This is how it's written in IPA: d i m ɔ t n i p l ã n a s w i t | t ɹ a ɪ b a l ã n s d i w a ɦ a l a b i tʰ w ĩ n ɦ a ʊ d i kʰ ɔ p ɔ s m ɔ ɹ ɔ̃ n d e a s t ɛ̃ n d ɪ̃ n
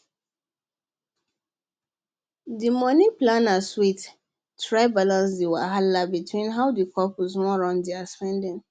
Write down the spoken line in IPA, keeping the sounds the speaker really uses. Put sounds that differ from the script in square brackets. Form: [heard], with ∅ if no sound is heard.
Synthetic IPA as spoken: d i m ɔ [∅] n i p l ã n a s w i t | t ɹ a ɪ b a l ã n s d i w a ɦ a l a b i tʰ w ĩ n ɦ a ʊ d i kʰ ɔ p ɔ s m ɔ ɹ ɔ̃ n d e a s [p] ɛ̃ n d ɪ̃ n